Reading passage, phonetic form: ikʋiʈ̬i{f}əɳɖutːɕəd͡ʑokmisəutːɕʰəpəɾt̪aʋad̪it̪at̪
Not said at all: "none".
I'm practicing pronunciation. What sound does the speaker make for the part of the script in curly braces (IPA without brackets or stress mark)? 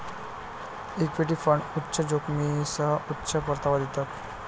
f